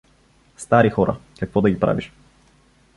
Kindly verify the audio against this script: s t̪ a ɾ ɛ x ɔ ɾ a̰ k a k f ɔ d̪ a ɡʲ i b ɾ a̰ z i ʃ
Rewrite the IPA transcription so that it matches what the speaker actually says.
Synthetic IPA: s t̪ a ɾ i x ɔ ɾ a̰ k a k v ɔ d̪ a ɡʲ i p ɾ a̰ v i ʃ